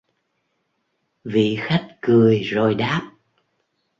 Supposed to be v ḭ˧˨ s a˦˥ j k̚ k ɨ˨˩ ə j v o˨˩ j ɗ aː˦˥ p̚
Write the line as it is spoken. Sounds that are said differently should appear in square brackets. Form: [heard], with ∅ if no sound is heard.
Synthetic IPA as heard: v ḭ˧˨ [x] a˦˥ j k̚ k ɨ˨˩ ə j [z] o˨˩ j ɗ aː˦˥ p̚